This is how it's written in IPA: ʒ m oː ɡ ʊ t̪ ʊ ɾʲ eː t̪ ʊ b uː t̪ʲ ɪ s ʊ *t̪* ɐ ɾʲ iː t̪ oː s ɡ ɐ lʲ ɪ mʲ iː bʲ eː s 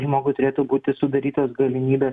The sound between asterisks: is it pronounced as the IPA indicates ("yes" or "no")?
no